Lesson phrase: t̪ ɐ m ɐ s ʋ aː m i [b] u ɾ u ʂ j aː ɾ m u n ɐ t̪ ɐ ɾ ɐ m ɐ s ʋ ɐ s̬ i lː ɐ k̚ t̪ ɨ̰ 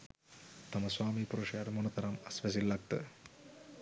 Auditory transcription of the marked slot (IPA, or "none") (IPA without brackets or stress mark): p